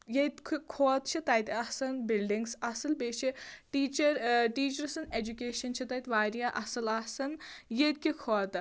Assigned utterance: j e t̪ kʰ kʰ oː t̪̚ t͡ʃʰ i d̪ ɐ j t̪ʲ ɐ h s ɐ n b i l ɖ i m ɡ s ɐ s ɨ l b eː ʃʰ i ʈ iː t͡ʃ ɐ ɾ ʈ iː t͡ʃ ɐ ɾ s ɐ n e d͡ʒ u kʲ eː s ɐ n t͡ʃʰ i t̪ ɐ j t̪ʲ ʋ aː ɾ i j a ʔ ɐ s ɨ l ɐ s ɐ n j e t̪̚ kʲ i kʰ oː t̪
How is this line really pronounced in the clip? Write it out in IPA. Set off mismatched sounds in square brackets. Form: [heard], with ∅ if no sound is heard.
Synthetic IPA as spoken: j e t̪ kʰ kʰ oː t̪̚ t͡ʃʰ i [t̪] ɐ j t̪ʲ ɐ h s ɐ n b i l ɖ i [ŋ] ɡ s ɐ s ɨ l b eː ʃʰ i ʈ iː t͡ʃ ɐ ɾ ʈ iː t͡ʃ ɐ ɾ s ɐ n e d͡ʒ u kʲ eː [ʃ] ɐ n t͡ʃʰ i t̪ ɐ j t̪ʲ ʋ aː ɾ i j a ʔ ɐ s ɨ l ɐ s ɐ n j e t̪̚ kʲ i kʰ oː t̪

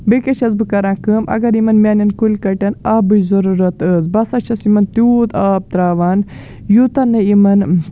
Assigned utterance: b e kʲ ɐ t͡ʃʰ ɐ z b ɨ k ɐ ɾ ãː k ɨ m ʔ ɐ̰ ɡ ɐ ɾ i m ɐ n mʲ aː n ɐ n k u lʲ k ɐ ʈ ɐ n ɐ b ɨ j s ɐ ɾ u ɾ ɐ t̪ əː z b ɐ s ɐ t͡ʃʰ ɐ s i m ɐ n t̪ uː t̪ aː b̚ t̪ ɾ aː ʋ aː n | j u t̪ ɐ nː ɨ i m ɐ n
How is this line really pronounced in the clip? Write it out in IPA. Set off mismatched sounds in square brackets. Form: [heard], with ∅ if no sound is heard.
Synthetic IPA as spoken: b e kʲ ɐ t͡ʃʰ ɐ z b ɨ k ɐ ɾ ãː k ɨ m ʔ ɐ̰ ɡ ɐ ɾ i m ɐ n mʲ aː n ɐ n k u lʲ k ɐ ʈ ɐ n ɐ b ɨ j [z] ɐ ɾ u ɾ ɐ t̪ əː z b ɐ s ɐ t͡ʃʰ ɐ s i m ɐ n t̪ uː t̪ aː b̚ t̪ ɾ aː ʋ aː n | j u t̪ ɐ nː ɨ i m ɐ n

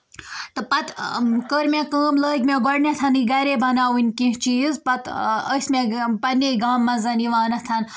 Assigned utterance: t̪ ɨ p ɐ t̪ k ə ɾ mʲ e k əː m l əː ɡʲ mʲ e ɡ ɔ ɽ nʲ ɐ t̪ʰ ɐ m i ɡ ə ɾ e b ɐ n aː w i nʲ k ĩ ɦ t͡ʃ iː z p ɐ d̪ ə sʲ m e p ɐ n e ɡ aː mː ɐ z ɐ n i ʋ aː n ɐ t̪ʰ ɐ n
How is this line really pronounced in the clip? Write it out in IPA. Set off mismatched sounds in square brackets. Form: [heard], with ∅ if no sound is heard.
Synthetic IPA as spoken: t̪ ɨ p ɐ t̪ k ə ɾ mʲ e k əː m l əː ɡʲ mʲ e ɡ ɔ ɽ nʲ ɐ t̪ʰ ɐ [n] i ɡ [ɐ] ɾ e b ɐ n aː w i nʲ k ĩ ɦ t͡ʃ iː z p ɐ [t̪] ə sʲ m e p ɐ n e ɡ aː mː ɐ z ɐ n i ʋ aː n ɐ t̪ʰ ɐ n

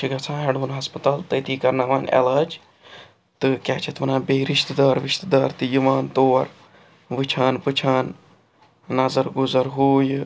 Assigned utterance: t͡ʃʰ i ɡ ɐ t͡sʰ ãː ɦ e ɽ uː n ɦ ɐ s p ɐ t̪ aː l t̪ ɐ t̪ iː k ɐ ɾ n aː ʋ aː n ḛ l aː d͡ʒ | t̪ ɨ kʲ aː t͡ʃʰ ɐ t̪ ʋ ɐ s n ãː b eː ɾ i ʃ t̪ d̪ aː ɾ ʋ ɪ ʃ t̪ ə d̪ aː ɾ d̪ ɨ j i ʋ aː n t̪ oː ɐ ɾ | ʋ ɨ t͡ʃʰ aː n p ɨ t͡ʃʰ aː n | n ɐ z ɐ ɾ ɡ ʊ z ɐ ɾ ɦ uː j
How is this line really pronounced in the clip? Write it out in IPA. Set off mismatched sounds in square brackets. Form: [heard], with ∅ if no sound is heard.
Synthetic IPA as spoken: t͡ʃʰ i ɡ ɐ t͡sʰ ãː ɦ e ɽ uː n ɦ ɐ s p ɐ t̪ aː l t̪ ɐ t̪ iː k ɐ ɾ n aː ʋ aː n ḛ l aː d͡ʒ | t̪ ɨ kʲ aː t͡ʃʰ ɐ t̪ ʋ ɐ [∅] n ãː b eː ɾ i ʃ t̪ d̪ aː ɾ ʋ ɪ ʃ t̪ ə d̪ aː ɾ [t̪] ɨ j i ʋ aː n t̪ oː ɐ ɾ | ʋ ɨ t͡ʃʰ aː n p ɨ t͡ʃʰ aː n | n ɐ z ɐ ɾ ɡ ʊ z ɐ ɾ ɦ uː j

